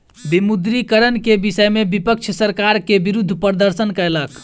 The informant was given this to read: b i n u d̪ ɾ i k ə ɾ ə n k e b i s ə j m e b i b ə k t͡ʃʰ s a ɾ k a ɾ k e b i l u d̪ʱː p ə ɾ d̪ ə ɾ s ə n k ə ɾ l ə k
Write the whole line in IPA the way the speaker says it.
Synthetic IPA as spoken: b i m u d̪ ɾ i k ə ɾ ə n k e b i s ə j m e b i p ə k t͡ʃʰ s ə ɾ k a ɾ k e b i ɾ u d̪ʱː p ə ɾ d̪ ə ɾ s ə n k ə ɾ l ə k